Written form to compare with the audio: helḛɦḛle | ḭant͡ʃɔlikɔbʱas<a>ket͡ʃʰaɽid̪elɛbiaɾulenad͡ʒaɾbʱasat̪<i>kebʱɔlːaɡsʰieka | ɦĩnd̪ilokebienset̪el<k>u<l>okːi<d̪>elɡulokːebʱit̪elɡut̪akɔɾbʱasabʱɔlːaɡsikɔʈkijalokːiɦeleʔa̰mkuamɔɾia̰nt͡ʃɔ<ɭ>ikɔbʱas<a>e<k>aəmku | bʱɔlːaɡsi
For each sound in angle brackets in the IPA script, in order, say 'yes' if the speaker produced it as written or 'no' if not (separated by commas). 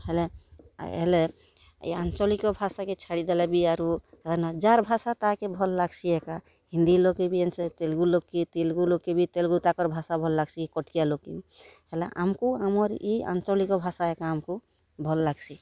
yes, no, no, yes, no, no, yes, yes